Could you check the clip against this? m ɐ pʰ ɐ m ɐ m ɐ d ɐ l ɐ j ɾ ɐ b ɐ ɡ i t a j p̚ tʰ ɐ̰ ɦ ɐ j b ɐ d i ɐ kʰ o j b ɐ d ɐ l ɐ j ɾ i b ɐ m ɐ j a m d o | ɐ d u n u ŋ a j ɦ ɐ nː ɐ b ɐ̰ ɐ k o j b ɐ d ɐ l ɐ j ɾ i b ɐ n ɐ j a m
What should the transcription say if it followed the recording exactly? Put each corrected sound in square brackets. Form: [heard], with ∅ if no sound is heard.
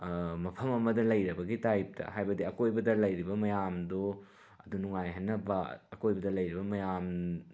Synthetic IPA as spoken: m ɐ pʰ ɐ m ɐ m ɐ d ɐ l ɐ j ɾ ɐ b ɐ ɡ i t a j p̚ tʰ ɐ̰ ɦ [a] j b ɐ d i ɐ [k] o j b ɐ d ɐ l ɐ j ɾ i b ɐ m ɐ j a m d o | ɐ d u n u ŋ a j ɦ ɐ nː ɐ b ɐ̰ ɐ k o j b ɐ d ɐ l ɐ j ɾ i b ɐ [m] ɐ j a m